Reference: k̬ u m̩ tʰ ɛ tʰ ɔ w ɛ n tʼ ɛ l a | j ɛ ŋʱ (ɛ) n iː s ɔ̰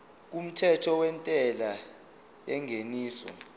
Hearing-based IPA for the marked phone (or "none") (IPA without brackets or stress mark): e